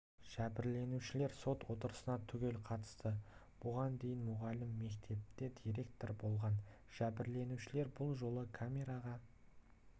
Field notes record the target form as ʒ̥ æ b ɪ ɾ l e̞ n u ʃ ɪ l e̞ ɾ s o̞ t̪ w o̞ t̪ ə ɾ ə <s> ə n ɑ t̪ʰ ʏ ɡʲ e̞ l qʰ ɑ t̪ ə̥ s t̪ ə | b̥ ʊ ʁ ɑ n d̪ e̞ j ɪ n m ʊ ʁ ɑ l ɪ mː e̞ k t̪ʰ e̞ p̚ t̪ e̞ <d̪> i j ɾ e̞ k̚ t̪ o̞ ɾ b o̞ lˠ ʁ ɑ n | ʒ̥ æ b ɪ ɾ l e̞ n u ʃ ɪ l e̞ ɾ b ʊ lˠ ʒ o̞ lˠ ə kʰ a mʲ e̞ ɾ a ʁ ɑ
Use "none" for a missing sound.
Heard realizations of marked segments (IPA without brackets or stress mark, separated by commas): s, d̪